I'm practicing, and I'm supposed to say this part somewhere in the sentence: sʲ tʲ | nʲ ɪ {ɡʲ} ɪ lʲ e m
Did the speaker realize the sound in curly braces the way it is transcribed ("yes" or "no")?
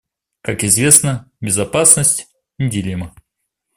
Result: no